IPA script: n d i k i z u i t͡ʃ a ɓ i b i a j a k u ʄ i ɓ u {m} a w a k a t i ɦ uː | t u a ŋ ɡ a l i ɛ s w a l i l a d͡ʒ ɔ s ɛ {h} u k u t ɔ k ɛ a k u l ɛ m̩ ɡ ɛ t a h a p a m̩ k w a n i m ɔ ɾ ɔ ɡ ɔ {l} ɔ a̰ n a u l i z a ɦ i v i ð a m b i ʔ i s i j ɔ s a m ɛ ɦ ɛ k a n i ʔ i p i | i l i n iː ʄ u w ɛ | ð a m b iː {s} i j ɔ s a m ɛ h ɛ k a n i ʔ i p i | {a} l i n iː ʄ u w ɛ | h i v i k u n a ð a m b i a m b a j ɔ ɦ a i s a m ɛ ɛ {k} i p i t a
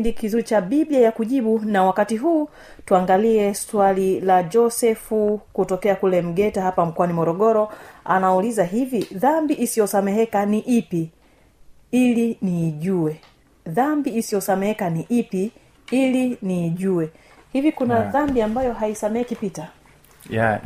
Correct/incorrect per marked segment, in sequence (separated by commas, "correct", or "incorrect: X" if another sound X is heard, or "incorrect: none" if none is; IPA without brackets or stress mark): incorrect: n, incorrect: f, incorrect: ɾ, correct, incorrect: i, correct